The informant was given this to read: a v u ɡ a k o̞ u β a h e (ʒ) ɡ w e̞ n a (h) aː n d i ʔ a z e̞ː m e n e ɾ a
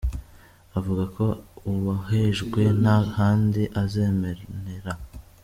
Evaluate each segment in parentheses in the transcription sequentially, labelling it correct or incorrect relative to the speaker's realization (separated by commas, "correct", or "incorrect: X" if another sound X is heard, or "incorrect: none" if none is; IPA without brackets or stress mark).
correct, correct